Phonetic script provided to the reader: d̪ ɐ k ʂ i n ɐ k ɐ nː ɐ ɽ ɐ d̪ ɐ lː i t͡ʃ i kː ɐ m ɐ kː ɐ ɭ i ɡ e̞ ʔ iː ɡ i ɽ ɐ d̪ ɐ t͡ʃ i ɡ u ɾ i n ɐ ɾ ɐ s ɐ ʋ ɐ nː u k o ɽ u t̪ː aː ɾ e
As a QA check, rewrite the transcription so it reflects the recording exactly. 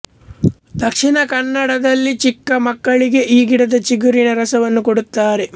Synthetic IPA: d̪ ɐ k ʂ i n ɐ k ɐ nː ɐ ɽ ɐ d̪ ɐ lː i t͡ʃ i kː ɐ m ɐ kː ɐ ɭ i ɡ e̞ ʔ iː ɡ i ɽ ɐ d̪ ɐ t͡ʃ i ɡ u ɾ i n ɐ ɾ ɐ s ɐ ʋ ɐ nː u k o ɽ u t̪ː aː ɾ e